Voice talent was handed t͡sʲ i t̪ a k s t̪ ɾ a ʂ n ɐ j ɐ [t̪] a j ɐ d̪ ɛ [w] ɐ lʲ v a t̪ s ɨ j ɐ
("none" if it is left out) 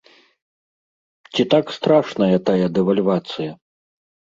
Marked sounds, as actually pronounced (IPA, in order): t̪, v

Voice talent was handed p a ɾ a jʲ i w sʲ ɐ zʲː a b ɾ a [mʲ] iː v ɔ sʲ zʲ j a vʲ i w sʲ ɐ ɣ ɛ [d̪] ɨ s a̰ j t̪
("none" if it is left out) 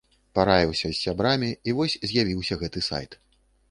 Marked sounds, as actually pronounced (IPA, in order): mʲ, t̪

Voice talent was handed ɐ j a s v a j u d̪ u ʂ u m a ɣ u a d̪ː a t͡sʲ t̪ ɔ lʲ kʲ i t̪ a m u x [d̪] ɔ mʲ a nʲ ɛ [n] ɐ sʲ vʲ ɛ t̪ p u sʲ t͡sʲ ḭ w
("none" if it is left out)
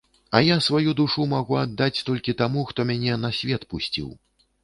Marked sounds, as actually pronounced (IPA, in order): t̪, n

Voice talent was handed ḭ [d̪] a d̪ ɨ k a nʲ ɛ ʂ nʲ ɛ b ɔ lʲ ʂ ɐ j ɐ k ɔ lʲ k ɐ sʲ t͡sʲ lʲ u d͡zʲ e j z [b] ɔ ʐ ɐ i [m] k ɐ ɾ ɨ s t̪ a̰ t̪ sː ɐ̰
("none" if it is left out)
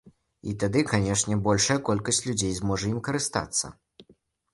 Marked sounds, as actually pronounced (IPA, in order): t̪, m, m

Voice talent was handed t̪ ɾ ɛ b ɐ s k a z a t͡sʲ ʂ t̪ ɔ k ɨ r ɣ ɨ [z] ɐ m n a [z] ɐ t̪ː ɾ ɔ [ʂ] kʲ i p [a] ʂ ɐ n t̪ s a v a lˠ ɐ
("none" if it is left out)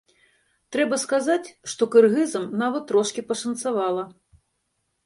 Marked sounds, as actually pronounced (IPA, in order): z, v, ʂ, ɐ

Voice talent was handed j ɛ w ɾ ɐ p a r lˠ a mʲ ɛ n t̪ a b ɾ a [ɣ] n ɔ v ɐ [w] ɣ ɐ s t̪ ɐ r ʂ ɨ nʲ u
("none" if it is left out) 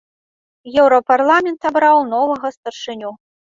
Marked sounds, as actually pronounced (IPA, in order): w, none

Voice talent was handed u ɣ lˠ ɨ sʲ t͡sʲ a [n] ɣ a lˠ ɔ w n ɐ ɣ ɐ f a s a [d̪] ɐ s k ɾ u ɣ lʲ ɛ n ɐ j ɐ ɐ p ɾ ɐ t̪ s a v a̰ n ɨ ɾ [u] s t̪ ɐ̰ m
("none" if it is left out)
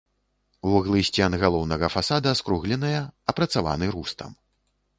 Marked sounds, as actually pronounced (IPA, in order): n, d̪, u

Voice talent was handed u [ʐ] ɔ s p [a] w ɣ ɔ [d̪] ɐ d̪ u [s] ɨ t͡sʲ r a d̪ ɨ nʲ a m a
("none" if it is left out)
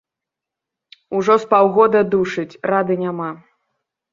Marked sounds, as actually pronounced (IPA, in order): ʐ, a, d̪, ʂ

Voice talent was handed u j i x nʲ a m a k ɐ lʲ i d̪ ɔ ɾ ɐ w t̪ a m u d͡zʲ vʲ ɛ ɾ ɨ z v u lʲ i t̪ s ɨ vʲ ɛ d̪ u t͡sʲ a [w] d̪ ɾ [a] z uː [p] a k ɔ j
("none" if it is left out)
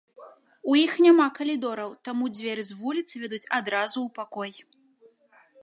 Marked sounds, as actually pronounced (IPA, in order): none, a, p

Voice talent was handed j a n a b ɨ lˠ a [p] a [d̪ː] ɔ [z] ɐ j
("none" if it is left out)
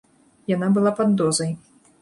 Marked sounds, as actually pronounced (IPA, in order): p, d̪ː, z

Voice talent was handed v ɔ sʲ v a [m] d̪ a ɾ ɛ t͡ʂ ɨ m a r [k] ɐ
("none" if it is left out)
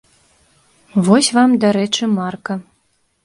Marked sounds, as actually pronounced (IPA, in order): m, k

